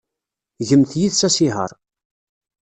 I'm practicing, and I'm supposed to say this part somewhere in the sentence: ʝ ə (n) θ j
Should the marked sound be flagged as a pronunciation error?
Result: yes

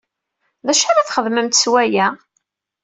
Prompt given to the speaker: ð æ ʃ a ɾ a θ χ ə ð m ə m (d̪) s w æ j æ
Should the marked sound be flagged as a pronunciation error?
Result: yes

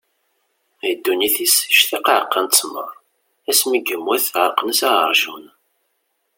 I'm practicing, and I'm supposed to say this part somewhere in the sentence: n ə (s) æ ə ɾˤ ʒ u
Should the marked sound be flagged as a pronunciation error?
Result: no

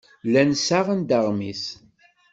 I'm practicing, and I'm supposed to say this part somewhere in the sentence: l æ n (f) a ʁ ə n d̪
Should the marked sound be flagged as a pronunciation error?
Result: yes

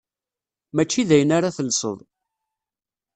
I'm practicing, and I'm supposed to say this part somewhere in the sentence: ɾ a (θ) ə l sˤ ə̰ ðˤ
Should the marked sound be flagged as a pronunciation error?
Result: no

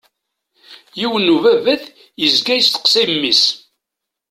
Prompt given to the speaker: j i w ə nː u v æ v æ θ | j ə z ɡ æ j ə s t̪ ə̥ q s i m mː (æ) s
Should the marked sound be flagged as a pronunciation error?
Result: yes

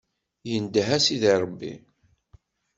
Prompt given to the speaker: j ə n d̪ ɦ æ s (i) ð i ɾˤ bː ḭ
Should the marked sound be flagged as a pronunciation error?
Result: no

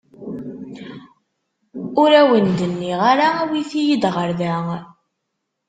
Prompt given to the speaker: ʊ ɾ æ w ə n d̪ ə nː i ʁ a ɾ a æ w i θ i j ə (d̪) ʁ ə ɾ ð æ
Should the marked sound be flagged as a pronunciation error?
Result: no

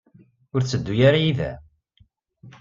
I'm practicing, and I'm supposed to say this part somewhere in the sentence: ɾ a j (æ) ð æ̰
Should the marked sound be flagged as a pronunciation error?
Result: yes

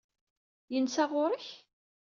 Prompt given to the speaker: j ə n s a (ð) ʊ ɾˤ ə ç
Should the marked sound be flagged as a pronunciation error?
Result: yes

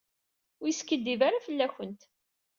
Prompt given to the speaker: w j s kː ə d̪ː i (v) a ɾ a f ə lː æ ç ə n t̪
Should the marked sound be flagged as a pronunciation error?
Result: no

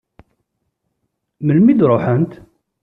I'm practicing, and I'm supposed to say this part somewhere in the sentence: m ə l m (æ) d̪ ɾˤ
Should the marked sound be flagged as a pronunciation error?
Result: yes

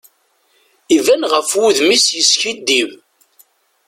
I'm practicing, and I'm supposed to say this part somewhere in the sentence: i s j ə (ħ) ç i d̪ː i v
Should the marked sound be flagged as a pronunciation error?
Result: yes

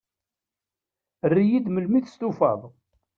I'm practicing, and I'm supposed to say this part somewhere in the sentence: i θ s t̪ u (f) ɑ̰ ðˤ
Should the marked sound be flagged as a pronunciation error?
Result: no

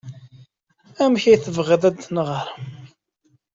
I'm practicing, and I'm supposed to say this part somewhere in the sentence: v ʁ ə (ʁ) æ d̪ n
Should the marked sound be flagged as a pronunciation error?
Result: yes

